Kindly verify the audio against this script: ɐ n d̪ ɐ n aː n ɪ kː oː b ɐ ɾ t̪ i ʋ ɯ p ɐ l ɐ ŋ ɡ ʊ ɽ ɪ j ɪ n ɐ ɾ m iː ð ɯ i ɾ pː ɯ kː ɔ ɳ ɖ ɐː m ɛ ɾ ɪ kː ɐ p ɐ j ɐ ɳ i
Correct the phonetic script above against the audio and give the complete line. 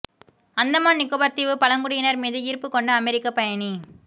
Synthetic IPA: ɐ n d̪ ɐ m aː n ɪ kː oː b ɐ ɾ t̪ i ʋ ɯ p ɐ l ɐ ŋ ɡ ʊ ɽ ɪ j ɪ n ɐ ɾ m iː ð ɯ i ɾ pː ɯ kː ɔ ɳ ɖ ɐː m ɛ ɾ ɪ kː ɐ p ɐ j ɐ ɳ i